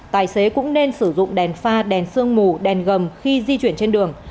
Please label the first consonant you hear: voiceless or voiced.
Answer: voiceless